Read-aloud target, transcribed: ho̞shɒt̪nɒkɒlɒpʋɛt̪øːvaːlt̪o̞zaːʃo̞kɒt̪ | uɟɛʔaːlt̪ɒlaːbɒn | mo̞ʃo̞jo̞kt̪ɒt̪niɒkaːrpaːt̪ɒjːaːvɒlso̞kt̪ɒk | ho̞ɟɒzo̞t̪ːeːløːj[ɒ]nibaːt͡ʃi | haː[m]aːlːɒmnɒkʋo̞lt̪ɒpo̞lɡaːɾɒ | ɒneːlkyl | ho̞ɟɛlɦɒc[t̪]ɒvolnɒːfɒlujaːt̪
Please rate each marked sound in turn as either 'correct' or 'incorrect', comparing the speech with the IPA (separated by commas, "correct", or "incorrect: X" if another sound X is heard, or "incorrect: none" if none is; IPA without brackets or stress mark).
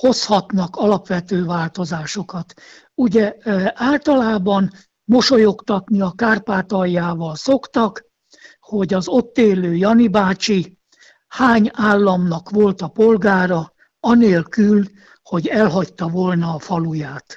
correct, incorrect: ɲ, correct